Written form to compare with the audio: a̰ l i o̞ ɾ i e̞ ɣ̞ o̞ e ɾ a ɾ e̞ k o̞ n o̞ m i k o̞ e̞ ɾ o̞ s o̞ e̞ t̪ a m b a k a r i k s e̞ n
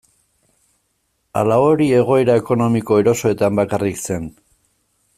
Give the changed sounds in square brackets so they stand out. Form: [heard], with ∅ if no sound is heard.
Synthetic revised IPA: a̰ l [a] o̞ ɾ i e̞ ɣ̞ o̞ e ɾ a [∅] e̞ k o̞ n o̞ m i k o̞ e̞ ɾ o̞ s o̞ e̞ t̪ a m b a k a r i k s e̞ n